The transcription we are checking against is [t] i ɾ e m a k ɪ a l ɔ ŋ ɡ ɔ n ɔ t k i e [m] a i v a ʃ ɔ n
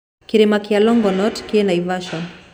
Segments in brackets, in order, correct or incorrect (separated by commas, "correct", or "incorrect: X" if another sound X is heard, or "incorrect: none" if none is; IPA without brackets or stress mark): incorrect: k, incorrect: n